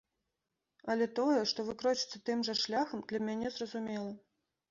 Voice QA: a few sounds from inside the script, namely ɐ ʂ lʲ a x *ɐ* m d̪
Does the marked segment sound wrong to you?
no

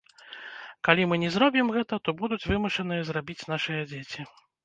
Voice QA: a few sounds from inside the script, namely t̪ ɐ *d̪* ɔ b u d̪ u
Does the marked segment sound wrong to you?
yes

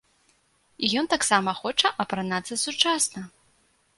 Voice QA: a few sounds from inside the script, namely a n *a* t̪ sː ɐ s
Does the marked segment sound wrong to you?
no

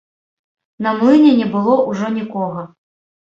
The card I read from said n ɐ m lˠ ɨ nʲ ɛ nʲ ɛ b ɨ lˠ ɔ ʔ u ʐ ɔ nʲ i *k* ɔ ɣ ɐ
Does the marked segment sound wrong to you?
no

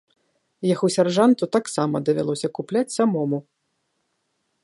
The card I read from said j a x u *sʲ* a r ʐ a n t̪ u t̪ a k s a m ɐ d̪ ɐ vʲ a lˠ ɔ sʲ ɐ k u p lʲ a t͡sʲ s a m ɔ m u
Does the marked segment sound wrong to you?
no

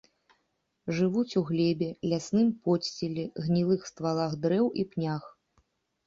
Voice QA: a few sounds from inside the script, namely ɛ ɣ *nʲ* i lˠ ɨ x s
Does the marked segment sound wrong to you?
no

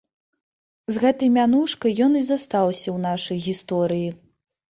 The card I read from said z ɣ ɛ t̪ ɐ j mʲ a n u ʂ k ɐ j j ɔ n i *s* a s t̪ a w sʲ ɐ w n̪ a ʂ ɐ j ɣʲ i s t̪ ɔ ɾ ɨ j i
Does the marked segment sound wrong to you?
yes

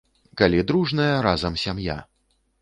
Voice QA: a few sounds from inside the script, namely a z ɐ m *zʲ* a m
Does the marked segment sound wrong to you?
yes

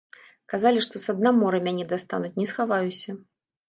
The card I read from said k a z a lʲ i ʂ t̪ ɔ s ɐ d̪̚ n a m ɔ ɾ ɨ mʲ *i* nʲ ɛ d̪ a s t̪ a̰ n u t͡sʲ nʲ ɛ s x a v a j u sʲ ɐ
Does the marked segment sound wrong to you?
yes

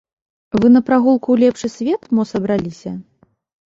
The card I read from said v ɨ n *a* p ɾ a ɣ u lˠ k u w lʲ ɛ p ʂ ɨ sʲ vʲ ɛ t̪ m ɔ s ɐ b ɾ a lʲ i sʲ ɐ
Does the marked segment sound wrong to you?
yes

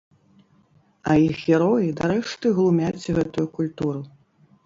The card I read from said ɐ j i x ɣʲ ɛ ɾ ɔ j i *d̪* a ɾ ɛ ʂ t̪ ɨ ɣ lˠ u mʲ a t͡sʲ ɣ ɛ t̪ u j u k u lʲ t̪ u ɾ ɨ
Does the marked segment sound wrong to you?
no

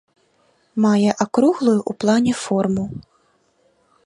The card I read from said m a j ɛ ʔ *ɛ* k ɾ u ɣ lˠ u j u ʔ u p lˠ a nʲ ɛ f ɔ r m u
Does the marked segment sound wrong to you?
yes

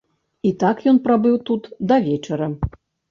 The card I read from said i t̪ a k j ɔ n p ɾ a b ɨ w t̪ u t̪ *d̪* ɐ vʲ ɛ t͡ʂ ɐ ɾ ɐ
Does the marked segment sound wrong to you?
no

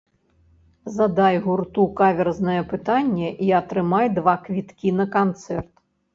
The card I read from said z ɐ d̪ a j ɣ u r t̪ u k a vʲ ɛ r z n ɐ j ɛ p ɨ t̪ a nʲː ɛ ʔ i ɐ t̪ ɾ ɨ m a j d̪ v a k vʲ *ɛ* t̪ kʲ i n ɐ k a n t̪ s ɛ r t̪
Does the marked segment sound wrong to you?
yes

